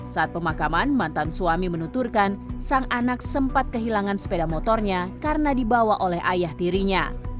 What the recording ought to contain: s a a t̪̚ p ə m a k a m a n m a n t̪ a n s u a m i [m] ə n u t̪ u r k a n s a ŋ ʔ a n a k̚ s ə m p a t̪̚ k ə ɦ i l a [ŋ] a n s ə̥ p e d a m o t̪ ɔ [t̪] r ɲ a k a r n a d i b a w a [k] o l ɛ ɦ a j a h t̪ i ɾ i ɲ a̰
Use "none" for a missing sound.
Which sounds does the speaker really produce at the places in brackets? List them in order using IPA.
m, ŋ, none, ʔ

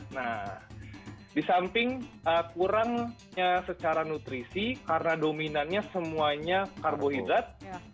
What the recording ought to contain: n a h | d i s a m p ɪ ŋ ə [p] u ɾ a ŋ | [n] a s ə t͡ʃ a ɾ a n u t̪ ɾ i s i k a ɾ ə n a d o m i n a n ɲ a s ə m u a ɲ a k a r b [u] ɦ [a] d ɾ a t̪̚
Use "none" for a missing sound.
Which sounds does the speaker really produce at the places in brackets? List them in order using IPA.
k, ɲ, o, i

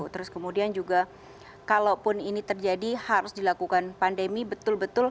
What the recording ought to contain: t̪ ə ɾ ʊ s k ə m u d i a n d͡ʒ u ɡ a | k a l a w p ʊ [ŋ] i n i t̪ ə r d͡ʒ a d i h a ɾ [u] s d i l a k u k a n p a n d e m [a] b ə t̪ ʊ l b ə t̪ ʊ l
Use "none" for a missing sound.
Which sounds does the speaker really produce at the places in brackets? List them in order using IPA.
n, ʊ, i

